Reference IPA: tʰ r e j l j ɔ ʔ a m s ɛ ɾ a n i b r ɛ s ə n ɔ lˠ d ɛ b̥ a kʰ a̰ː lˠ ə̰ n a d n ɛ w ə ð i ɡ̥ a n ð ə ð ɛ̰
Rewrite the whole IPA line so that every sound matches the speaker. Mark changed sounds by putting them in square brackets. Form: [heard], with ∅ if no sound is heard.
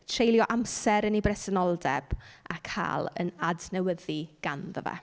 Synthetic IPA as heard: tʰ r e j l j ɔ ʔ a m s ɛ ɾ [ə] n i b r ɛ s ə n ɔ lˠ d ɛ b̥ a kʰ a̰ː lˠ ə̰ n a d n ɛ w ə ð i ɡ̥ a n ð ə [v] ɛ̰